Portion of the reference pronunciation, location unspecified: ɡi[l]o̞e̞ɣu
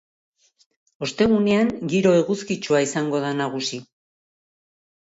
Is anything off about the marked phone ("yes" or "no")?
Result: yes